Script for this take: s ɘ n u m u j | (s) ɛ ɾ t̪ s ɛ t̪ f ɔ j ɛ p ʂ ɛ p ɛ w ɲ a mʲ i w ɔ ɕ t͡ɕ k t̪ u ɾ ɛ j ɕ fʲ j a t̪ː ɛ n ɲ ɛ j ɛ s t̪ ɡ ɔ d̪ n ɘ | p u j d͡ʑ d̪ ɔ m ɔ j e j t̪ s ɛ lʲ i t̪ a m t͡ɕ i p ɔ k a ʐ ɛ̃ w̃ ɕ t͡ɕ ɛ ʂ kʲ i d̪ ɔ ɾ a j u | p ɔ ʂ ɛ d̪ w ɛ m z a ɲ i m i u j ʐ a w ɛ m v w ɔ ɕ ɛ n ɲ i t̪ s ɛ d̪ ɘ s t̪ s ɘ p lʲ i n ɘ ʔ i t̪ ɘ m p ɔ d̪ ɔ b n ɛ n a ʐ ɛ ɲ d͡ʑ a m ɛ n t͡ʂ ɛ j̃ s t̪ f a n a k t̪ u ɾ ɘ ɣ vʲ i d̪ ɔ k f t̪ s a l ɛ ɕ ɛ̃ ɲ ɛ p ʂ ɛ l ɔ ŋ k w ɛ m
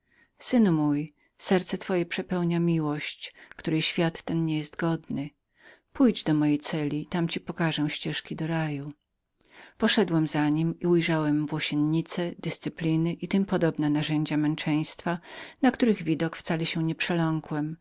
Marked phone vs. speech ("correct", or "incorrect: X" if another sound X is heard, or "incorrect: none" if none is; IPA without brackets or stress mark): correct